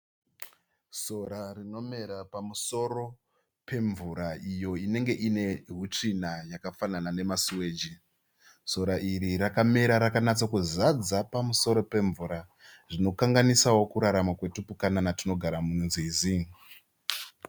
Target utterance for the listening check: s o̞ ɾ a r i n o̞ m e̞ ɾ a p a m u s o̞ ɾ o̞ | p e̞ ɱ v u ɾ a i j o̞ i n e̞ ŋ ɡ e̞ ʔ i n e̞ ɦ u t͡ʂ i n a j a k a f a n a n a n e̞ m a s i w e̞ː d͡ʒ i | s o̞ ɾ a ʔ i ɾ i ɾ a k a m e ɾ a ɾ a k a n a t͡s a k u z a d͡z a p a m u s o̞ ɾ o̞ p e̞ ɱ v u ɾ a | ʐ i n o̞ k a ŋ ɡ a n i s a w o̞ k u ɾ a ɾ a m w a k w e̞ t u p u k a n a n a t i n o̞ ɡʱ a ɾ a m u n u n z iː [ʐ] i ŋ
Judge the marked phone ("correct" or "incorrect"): incorrect